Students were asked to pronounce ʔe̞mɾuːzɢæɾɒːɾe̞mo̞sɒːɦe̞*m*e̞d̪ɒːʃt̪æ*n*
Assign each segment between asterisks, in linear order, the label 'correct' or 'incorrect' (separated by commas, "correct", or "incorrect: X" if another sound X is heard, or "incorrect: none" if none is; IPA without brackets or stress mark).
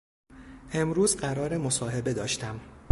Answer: incorrect: b, incorrect: m